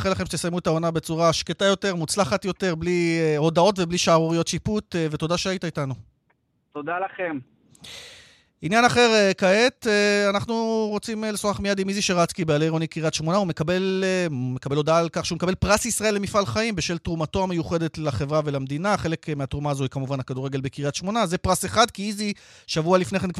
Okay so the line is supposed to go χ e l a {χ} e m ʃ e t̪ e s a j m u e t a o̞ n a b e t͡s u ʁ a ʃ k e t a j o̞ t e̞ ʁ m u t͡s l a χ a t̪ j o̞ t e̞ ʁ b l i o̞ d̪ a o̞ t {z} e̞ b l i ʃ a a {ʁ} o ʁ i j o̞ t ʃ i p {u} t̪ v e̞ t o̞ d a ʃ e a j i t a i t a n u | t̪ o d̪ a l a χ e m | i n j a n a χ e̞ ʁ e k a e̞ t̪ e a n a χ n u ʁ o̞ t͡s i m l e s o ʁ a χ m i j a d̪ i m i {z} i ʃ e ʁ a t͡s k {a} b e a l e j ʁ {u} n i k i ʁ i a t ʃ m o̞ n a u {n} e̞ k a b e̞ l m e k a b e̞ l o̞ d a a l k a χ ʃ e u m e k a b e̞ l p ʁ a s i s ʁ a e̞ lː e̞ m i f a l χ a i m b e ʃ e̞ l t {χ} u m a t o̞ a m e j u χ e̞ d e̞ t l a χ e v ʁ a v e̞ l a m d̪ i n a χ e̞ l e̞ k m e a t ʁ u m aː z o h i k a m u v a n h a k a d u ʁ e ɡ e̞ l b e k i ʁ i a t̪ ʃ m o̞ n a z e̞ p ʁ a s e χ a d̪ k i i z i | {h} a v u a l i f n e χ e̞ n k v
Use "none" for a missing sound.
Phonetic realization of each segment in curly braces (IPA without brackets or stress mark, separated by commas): χ, v, ʁ, u, z, i, o, m, ʁ, ʃ